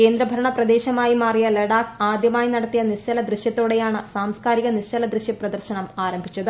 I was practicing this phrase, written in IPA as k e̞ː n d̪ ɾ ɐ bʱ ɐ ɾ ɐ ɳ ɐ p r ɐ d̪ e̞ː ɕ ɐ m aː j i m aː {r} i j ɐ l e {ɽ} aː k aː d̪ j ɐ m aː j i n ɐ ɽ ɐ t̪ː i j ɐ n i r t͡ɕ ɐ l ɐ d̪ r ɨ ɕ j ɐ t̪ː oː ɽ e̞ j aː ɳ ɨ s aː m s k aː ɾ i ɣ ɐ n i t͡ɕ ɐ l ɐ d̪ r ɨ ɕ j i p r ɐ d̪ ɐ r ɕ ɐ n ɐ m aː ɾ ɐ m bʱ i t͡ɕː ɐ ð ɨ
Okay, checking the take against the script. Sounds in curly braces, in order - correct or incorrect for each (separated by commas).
correct, correct